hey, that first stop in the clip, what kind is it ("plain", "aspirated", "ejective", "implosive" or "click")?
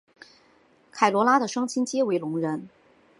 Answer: aspirated